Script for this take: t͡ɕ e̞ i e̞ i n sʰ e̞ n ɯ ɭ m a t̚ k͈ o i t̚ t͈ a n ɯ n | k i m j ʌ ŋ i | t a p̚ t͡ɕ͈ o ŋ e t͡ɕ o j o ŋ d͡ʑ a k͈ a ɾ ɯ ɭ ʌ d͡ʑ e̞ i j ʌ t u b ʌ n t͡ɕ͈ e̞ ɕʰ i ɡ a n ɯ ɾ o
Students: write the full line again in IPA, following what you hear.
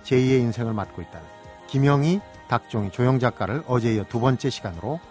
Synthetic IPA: t͡ɕ e̞ i e̞ i n sʰ e̞ ŋ ɯ ɭ m a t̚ k͈ o i t̚ t͈ a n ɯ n | k i m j ʌ ŋ i | t a k̚ t͡ɕ͈ o ŋ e t͡ɕ o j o ŋ d͡ʑ a k͈ a ɾ ɯ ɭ ʌ d͡ʑ e̞ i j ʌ t u b ʌ n t͡ɕ͈ e̞ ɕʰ i ɡ a n ɯ ɾ o